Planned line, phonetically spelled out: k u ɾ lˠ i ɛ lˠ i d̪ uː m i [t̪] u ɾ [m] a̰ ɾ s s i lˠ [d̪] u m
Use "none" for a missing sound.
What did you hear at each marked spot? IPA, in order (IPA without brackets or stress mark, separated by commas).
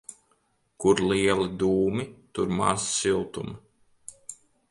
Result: t̪, m, t̪